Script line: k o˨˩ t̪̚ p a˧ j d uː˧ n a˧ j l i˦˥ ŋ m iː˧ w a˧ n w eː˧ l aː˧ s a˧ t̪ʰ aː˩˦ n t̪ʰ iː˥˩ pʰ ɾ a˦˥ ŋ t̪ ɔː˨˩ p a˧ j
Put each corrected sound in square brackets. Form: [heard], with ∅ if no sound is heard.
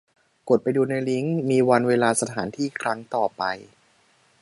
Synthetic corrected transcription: k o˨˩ t̪̚ p a˧ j d uː˧ n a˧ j l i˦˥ ŋ m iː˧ w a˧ n w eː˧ l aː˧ s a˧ t̪ʰ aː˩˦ n t̪ʰ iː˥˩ [kʰ] ɾ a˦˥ ŋ t̪ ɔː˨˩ p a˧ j